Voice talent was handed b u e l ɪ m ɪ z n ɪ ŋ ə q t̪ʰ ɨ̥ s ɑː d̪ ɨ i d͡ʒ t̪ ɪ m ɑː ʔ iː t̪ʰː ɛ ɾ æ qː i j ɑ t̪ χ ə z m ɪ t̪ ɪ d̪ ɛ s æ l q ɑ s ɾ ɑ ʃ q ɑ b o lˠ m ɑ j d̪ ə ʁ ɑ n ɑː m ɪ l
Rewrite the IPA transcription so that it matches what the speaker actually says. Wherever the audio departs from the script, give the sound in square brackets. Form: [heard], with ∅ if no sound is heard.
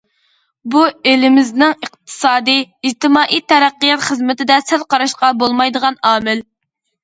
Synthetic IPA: b u e l ɪ m ɪ z n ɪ ŋ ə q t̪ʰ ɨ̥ s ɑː d̪ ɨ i d͡ʒ t̪ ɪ m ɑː ʔ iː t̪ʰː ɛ ɾ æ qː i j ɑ t̪ χ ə z m ɪ t̪ ɪ d̪ ɛ s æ l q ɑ [∅] ɾ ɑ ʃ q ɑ b o lˠ m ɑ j d̪ ə ʁ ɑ n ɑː m ɪ l